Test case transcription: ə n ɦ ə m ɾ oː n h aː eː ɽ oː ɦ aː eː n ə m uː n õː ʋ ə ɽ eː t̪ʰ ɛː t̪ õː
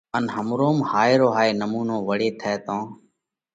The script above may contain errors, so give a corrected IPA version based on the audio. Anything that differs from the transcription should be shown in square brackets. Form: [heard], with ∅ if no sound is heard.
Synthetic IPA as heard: ə n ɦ ə m ɾ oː [m] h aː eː [ɾ] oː ɦ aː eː n ə m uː n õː ʋ ə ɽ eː t̪ʰ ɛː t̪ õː